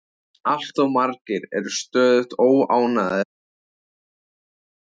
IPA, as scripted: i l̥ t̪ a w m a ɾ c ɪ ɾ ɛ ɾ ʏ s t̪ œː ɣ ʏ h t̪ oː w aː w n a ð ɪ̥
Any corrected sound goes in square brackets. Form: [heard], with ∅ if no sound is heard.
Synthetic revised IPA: [a] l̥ t̪ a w m a ɾ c ɪ ɾ ɛ ɾ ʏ s t̪ œː [ð] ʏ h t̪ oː w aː w n a ð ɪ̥